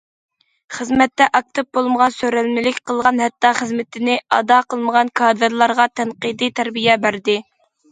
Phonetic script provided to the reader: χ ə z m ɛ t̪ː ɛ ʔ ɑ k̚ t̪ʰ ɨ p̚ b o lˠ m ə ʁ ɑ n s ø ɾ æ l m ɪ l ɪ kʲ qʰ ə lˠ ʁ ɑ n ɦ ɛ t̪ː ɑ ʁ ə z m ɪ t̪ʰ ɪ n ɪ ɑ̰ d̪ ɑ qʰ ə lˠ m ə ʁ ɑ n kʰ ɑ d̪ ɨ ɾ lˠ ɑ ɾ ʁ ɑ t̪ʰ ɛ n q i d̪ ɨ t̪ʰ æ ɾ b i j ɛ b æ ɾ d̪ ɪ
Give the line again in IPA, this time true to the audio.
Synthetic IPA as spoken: χ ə z m ɛ t̪ː ɛ ʔ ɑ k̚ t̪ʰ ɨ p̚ b o lˠ m ə ʁ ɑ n s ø ɾ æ l m ɪ l ɪ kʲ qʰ ə lˠ ʁ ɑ n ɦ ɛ t̪ː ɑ χ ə z m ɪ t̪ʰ ɪ n ɪ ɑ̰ d̪ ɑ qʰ ə lˠ m ə ʁ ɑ n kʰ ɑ d̪ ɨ ɾ lˠ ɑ ɾ ʁ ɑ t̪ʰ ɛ n q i d̪ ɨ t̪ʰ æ ɾ b i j ɛ b æ ɾ d̪ ɪ